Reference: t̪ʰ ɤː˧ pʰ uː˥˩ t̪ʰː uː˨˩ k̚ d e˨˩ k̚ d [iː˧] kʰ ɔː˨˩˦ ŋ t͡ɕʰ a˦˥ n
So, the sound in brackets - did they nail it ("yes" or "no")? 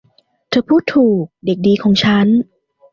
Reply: yes